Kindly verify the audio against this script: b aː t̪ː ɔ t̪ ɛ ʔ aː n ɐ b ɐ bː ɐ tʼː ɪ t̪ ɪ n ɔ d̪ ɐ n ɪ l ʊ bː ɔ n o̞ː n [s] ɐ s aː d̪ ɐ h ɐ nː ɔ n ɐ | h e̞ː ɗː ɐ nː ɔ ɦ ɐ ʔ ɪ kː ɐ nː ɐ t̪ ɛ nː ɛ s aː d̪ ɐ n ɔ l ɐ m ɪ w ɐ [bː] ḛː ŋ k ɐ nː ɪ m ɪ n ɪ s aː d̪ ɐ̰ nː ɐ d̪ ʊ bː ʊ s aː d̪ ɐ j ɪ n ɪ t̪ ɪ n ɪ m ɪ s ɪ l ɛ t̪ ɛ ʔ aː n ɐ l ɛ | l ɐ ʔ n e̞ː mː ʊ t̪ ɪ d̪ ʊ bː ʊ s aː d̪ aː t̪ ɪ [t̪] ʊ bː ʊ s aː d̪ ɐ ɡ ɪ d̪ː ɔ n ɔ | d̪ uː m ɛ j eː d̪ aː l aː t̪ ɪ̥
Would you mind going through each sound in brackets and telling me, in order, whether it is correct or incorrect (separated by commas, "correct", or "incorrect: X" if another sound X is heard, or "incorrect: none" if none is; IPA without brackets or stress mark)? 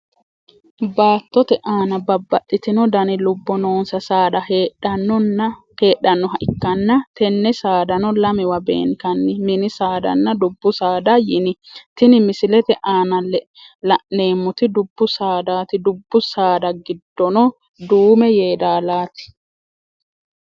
correct, incorrect: b, incorrect: d̪